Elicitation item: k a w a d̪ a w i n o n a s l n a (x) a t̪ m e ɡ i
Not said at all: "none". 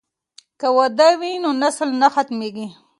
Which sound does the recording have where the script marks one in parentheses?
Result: x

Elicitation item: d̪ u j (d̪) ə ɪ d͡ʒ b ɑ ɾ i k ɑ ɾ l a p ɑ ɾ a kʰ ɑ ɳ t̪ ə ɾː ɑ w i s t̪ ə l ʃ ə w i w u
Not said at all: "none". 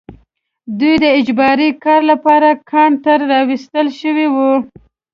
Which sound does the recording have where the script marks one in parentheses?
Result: d̪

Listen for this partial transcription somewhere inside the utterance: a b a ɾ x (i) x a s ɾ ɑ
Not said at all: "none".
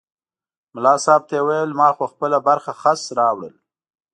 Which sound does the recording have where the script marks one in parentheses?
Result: a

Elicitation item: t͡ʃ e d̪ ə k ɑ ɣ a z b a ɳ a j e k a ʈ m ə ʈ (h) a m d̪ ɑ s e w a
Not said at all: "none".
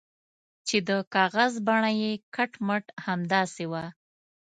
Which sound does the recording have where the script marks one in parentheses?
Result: h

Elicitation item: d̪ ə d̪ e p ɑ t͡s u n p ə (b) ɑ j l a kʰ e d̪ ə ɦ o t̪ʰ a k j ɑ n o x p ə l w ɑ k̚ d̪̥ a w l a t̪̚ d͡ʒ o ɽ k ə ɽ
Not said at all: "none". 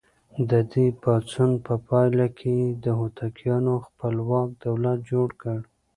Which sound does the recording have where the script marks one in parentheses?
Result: p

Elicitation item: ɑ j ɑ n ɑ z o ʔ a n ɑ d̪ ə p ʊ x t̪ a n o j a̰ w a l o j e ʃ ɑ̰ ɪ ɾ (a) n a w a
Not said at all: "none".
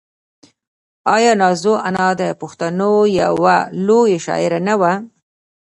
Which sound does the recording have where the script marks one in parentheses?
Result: a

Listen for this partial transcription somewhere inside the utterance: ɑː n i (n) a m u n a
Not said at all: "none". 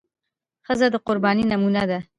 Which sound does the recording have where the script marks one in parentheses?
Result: n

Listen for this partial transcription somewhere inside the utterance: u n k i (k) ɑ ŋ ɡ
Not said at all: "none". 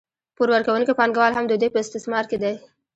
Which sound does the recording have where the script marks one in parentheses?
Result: p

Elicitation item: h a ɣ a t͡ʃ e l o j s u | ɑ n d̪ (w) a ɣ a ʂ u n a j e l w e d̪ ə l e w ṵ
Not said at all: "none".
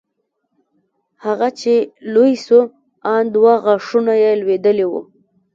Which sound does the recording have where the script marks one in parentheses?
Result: w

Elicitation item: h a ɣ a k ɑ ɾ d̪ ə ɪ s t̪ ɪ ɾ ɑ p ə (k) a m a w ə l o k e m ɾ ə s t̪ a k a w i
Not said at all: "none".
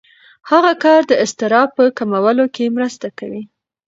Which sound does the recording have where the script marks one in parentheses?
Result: k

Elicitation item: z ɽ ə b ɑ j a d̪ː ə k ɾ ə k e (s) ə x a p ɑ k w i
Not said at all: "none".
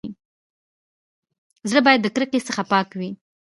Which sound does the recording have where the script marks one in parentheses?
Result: s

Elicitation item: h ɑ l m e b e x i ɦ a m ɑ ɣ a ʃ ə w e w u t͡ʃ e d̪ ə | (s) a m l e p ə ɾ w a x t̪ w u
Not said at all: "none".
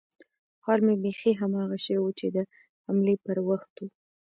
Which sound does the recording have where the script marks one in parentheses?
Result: h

